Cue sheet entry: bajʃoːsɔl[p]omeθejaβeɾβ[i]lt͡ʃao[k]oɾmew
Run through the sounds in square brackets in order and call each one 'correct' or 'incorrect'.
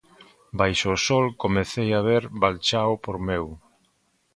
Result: incorrect, incorrect, incorrect

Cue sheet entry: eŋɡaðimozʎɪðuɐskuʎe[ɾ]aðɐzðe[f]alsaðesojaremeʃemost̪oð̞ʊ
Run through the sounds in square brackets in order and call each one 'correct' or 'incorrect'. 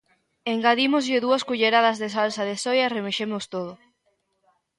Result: correct, incorrect

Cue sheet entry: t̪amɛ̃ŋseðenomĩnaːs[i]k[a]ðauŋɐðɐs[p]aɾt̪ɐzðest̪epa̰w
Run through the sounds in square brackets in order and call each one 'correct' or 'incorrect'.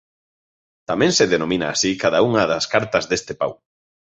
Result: correct, correct, incorrect

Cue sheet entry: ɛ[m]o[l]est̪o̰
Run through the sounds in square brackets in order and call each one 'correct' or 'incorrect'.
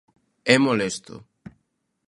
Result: correct, correct

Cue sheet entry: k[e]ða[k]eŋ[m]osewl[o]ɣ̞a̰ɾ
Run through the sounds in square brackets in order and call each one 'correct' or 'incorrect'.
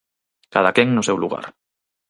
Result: incorrect, correct, incorrect, incorrect

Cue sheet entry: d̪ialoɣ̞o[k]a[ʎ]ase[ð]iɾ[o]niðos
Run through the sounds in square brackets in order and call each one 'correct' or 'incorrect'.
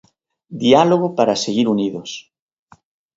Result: incorrect, incorrect, incorrect, incorrect

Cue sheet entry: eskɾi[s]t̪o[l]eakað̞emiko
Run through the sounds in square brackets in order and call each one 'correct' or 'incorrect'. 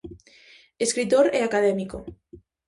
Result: incorrect, incorrect

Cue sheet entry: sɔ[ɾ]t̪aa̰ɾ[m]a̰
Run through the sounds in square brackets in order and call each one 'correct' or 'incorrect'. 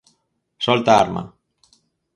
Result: incorrect, correct

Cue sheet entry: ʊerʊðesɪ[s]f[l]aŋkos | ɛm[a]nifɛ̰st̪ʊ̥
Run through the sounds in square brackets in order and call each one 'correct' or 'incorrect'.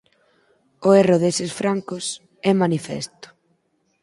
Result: correct, incorrect, correct

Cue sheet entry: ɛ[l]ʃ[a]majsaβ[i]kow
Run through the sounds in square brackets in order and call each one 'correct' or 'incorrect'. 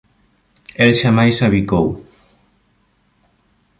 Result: correct, correct, correct

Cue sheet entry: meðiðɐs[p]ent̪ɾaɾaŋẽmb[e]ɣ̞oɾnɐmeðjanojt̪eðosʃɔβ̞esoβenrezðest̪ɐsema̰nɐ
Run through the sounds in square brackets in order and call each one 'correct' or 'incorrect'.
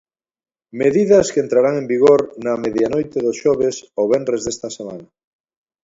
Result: incorrect, incorrect

